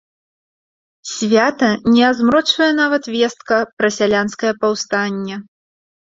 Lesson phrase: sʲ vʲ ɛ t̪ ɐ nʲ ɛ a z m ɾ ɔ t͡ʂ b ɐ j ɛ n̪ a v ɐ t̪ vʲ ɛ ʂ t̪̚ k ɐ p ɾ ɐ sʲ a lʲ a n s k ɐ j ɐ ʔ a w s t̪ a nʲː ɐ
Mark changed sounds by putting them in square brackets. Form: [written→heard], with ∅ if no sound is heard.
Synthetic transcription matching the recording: sʲ vʲ [ɛ→a] t̪ ɐ nʲ ɛ a z m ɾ ɔ t͡ʂ [b→v] ɐ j ɛ n̪ a v ɐ t̪ vʲ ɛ [ʂ→s] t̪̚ k ɐ p ɾ ɐ sʲ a lʲ a n s k ɐ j ɐ [ʔ→p] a w s t̪ a nʲː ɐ